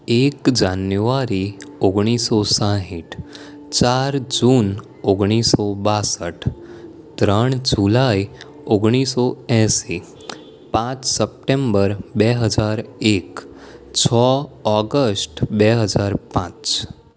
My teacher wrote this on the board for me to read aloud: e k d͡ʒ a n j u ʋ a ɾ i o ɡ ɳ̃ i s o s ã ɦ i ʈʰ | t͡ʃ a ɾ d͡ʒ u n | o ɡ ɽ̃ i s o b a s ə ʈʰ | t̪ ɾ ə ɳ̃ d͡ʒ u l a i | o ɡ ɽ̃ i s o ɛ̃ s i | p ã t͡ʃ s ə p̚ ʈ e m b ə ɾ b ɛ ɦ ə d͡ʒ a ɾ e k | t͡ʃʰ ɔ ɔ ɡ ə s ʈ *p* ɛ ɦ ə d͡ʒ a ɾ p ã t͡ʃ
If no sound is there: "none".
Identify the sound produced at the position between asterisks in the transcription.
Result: b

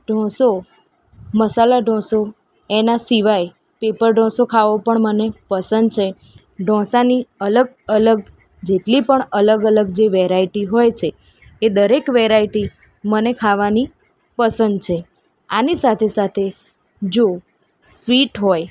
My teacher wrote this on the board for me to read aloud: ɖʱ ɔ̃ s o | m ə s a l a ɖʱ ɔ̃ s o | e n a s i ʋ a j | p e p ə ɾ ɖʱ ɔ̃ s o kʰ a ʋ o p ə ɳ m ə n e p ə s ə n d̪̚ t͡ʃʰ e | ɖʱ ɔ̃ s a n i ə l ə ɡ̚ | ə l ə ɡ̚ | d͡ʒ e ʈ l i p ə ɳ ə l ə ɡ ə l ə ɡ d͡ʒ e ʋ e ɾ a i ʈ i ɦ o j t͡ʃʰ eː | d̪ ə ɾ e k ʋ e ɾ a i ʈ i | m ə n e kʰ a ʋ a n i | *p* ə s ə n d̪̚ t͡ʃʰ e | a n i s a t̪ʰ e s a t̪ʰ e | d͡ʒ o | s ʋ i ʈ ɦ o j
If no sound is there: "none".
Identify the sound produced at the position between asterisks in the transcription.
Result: p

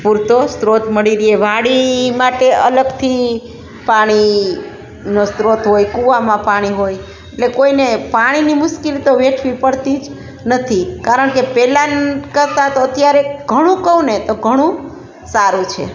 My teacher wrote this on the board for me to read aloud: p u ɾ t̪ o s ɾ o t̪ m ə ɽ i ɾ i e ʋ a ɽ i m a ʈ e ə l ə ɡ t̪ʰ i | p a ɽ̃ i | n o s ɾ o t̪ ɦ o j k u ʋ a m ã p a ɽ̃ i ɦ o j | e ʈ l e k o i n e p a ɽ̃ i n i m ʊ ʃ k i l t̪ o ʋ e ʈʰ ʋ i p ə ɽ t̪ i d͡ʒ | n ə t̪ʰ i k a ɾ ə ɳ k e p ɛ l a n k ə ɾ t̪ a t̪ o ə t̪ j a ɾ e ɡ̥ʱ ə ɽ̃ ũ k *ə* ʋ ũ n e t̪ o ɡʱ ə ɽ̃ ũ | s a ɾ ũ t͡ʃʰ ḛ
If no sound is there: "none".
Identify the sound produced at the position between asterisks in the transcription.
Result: ə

